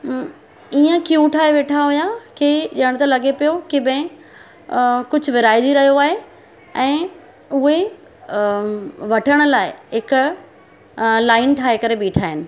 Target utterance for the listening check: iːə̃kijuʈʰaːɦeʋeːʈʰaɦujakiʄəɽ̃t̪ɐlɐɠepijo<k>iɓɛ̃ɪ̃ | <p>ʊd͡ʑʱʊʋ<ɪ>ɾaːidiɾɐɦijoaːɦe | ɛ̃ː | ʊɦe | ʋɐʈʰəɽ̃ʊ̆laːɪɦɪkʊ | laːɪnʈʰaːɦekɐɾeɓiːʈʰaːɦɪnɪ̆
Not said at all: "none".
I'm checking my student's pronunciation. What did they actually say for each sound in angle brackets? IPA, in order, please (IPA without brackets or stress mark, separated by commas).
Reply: k, k, ɪ